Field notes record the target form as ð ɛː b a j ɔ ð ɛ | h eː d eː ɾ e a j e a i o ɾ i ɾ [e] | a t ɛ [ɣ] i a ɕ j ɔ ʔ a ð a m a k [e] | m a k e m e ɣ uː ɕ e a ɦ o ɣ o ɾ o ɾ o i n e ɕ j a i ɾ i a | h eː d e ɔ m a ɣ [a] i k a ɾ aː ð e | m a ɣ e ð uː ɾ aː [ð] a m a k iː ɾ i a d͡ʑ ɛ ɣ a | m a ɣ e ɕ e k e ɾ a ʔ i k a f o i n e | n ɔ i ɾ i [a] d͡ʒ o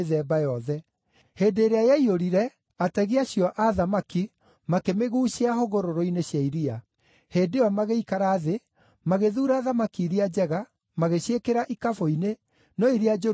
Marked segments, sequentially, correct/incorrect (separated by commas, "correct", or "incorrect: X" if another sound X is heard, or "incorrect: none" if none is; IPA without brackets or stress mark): incorrect: ɛ, correct, incorrect: i, incorrect: e, correct, correct